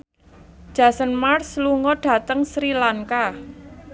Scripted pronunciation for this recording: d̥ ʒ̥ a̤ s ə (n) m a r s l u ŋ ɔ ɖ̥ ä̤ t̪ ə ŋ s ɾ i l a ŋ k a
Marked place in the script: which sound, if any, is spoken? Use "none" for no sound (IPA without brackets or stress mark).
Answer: n